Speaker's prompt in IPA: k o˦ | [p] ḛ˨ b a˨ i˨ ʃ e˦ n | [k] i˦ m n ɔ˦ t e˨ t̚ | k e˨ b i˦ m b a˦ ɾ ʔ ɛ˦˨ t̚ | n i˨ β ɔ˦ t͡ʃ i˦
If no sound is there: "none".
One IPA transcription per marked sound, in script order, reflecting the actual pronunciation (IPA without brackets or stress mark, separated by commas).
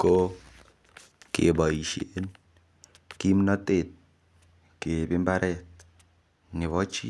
k, k